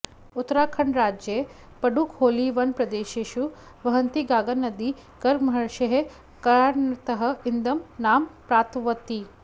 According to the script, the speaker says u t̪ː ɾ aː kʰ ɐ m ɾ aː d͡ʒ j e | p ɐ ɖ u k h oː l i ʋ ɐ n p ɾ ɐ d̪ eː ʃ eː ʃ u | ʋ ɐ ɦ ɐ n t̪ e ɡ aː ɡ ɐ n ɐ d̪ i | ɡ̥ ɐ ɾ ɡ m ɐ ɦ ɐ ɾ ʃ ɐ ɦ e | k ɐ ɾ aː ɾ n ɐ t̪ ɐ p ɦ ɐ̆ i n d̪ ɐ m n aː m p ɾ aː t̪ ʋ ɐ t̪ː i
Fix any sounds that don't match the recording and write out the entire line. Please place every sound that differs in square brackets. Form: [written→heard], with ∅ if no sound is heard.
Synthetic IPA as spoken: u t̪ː ɾ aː kʰ ɐ [m→ɳ] ɾ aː d͡ʒ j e | p ɐ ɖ u k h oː l i ʋ ɐ n p ɾ ɐ d̪ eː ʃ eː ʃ u | ʋ ɐ ɦ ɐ n t̪ [e→i] ɡ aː ɡ ɐ n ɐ d̪ i | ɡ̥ ɐ ɾ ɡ m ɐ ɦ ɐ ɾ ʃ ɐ ɦ e | k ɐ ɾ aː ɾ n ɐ t̪ ɐ [p→∅] ɦ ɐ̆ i n d̪ ɐ m n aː m p ɾ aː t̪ ʋ ɐ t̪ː i